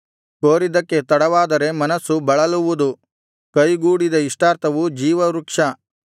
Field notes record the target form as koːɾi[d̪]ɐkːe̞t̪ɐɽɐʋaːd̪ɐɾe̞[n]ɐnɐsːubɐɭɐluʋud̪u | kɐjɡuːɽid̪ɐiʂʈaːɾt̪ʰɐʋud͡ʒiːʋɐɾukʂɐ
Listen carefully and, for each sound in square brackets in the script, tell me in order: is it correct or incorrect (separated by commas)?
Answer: correct, incorrect